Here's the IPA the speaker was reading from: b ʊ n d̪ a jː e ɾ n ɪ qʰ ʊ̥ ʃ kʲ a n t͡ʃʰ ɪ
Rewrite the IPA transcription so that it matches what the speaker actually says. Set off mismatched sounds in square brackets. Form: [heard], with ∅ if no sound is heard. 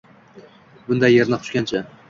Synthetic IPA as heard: b ʊ n d̪ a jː e ɾ n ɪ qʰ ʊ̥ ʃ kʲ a n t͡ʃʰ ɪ